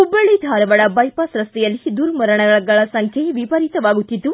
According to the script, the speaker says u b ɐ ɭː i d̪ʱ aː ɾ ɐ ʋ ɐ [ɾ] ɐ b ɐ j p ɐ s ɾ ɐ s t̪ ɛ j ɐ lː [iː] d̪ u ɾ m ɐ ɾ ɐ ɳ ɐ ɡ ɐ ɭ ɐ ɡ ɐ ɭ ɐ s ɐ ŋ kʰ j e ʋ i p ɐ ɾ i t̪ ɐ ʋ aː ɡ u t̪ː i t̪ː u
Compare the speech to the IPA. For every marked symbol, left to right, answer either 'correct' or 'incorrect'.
incorrect, incorrect

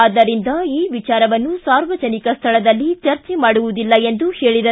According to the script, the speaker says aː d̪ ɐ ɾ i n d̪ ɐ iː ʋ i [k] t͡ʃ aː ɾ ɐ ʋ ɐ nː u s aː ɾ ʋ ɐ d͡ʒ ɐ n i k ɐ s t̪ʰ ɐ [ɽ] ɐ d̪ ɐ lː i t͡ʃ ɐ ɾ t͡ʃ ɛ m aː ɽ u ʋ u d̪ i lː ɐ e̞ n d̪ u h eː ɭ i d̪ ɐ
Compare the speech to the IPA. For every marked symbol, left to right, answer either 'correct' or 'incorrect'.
incorrect, incorrect

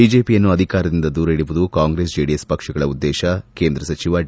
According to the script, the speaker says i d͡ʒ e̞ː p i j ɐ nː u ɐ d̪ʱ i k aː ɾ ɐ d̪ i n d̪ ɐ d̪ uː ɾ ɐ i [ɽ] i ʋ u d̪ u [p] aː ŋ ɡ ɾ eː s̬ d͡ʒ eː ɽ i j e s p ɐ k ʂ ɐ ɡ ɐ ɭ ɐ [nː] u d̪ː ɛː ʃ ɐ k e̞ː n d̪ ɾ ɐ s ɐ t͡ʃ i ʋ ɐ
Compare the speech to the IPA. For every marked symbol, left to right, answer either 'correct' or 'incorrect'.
correct, incorrect, incorrect

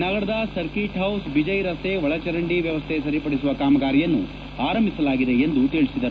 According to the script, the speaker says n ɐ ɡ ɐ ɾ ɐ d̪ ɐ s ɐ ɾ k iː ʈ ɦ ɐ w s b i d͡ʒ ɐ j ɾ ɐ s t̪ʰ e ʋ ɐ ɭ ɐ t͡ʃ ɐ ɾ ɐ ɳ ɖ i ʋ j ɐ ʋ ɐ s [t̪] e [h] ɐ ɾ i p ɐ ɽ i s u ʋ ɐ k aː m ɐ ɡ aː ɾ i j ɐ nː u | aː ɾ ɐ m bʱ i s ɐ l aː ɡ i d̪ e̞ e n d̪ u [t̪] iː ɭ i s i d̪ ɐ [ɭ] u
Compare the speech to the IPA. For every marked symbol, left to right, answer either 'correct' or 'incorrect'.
incorrect, incorrect, correct, incorrect

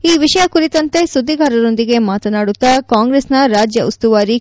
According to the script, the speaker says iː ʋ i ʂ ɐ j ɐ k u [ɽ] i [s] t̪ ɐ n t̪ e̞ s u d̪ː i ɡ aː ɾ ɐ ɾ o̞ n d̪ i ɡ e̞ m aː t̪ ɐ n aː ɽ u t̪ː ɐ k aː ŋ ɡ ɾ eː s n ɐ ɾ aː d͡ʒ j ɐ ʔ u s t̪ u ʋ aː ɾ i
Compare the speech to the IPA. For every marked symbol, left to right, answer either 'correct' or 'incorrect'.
incorrect, incorrect

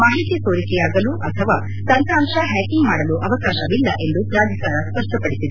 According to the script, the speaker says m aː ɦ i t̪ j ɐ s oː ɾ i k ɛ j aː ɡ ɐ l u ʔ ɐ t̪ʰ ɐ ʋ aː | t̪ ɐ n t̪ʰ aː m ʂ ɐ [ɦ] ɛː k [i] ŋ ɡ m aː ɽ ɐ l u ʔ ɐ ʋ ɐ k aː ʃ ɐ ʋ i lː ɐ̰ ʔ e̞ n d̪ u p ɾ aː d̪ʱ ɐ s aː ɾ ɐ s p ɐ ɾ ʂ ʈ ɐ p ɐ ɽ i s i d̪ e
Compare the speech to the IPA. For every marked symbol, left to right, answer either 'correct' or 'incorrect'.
correct, correct

